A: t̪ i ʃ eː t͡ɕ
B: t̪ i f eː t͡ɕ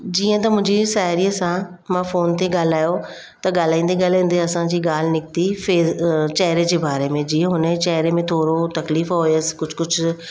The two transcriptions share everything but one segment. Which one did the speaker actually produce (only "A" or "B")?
B